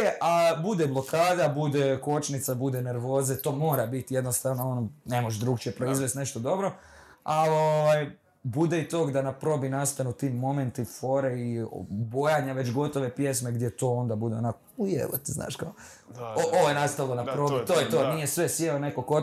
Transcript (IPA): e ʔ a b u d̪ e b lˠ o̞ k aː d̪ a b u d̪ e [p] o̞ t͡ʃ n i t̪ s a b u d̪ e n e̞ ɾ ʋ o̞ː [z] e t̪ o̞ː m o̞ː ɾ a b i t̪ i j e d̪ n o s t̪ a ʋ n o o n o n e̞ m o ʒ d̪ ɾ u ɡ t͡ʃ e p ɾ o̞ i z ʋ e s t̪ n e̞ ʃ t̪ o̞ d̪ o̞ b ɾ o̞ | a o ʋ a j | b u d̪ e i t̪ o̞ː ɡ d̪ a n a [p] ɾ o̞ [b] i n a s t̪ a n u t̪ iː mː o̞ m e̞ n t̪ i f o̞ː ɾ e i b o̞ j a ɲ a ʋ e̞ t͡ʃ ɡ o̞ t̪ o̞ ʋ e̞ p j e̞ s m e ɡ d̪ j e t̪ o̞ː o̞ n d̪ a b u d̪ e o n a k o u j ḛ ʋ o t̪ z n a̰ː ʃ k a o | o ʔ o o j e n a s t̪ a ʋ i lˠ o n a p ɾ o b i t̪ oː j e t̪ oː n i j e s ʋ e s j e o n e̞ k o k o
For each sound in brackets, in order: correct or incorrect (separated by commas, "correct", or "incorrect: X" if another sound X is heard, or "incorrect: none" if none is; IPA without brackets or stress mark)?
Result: incorrect: k, correct, correct, correct